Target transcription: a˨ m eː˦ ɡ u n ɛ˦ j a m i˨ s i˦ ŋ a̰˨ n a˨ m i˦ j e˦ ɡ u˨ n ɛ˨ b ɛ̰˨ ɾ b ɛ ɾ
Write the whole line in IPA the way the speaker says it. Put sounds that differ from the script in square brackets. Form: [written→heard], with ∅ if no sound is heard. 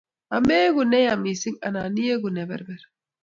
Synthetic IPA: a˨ m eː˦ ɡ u n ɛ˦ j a m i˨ s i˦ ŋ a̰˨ n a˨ [m→n] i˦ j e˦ ɡ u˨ n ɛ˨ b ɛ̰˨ ɾ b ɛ ɾ